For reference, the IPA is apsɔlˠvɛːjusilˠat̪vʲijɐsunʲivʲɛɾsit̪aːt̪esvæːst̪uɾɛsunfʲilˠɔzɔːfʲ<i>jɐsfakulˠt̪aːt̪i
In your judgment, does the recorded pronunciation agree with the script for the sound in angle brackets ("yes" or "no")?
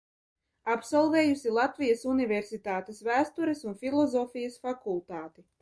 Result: yes